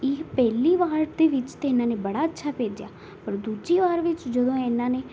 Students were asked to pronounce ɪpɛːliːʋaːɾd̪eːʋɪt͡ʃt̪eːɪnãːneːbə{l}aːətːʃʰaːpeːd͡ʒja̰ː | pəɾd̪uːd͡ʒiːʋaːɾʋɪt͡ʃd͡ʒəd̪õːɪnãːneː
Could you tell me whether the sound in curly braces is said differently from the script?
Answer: yes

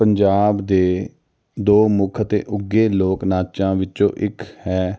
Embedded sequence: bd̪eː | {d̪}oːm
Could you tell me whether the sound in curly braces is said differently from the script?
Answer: no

